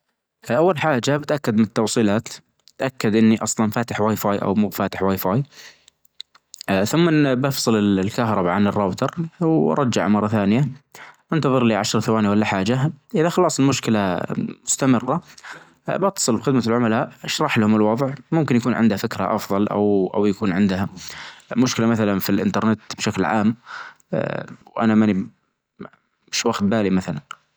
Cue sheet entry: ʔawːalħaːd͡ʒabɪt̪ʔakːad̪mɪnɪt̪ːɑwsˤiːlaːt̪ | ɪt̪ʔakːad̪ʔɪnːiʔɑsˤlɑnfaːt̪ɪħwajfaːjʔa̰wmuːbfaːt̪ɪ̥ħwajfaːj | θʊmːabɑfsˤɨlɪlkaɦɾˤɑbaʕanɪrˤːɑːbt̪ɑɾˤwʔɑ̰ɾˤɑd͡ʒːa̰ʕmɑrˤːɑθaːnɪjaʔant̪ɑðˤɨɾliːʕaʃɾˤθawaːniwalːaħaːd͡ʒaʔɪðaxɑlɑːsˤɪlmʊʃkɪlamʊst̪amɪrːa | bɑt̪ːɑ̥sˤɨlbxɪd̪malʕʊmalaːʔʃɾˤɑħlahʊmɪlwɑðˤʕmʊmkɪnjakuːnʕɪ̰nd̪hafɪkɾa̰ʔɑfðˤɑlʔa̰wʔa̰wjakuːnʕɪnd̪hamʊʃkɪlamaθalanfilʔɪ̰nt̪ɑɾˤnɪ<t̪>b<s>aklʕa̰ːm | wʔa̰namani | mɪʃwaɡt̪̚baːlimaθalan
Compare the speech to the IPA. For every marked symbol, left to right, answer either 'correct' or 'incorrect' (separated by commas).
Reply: correct, incorrect